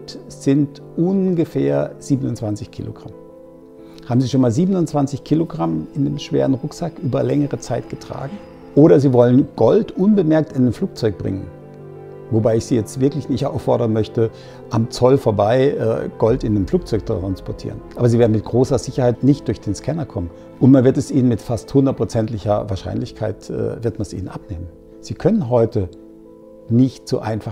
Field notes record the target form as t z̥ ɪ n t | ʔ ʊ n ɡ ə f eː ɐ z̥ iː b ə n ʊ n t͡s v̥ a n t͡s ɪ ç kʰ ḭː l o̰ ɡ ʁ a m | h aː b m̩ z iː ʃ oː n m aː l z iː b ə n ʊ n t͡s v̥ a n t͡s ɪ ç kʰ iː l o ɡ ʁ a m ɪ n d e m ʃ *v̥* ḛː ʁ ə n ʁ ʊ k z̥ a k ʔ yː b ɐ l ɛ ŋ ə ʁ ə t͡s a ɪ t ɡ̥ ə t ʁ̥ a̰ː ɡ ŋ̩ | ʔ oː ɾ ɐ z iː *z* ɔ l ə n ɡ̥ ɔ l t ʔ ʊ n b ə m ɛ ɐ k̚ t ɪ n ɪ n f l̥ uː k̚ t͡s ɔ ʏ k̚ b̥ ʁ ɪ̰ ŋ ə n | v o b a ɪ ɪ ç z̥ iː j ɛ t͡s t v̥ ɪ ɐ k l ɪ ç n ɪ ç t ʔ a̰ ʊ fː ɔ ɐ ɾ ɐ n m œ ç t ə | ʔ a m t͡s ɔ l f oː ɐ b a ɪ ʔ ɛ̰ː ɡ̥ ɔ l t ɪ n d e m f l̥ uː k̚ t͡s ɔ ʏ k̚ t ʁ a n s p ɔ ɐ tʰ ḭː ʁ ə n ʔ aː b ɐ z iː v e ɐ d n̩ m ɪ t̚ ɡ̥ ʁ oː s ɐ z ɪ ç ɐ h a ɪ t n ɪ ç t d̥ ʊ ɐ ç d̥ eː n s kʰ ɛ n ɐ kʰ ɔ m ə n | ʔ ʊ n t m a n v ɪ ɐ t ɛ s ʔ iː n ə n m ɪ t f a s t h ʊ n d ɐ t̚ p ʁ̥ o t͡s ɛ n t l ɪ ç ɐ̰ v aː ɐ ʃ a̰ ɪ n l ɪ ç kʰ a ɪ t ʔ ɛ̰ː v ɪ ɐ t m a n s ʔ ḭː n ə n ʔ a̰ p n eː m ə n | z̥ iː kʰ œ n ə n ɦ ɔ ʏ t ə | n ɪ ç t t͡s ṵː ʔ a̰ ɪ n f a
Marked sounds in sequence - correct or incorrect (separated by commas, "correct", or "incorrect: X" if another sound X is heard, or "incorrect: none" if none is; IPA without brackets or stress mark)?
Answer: correct, incorrect: v